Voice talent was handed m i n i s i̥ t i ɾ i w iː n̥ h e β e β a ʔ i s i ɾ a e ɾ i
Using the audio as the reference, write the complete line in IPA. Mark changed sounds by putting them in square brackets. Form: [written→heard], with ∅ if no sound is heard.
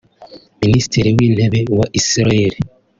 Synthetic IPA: m i n i s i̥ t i ɾ i w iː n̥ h e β e [β→w] a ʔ i s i ɾ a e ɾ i